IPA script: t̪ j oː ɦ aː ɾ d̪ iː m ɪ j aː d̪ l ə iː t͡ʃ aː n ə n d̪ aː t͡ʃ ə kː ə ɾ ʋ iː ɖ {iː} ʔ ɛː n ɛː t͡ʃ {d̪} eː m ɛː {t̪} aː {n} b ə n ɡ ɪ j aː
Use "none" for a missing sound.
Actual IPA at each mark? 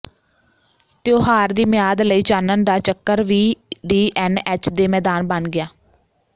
iː, d̪, d̪, n

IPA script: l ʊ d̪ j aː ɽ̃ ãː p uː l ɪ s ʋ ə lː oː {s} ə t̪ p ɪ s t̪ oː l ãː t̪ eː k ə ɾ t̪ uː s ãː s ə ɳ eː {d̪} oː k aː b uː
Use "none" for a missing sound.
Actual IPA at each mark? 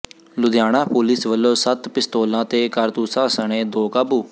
s, d̪

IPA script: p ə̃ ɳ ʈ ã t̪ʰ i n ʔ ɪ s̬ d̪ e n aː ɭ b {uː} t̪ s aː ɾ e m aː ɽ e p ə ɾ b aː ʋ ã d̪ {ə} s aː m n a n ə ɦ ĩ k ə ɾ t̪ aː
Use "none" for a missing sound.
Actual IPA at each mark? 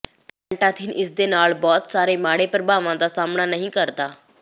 ɔː, a

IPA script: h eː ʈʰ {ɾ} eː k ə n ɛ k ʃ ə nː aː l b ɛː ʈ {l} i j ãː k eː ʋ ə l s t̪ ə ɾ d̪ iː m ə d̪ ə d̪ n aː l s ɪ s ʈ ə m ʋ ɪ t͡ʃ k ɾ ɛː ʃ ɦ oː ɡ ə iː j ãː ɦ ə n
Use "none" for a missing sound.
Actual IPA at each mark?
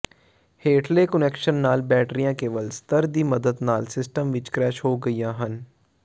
l, ɾ

